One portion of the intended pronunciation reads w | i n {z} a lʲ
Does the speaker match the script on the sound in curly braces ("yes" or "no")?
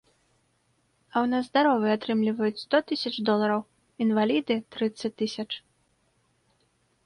no